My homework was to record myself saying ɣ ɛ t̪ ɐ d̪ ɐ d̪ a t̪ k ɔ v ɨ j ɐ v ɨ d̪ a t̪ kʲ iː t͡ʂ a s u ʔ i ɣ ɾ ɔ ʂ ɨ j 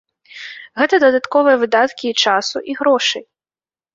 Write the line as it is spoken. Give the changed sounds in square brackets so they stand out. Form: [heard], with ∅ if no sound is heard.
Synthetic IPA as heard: ɣ ɛ t̪ ɐ d̪ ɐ d̪ a t̪ k ɔ v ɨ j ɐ v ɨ d̪ a t̪ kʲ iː t͡ʂ a s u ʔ i ɣ ɾ ɔ ʂ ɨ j